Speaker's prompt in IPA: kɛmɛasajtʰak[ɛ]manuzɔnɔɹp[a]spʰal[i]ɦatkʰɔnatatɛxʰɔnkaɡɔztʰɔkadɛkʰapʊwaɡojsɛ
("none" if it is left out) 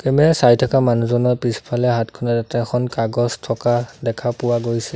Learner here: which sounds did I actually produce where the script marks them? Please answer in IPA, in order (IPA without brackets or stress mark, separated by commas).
a, i, ɛ